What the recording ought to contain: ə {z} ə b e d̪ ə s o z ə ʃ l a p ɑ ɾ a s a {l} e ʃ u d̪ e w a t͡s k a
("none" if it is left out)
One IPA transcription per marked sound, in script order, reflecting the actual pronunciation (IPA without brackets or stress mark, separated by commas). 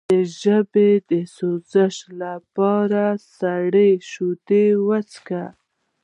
ʒ, ɽ